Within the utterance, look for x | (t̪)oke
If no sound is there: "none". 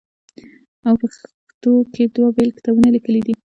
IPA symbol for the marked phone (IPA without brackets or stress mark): t̪